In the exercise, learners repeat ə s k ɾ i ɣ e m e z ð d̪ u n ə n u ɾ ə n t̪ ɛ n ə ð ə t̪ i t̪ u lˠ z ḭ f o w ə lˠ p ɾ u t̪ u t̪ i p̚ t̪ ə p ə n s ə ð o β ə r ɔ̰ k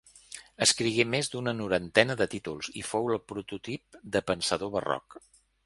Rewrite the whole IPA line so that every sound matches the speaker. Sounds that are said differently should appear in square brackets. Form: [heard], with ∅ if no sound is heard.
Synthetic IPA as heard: ə s k ɾ i ɣ e m e z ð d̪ u n ə n u ɾ ə n t̪ ɛ n ə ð ə t̪ i t̪ u lˠ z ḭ f o w ə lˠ p ɾ u t̪ u t̪ i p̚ [d̪] ə p ə n s ə ð o β ə r ɔ̰ k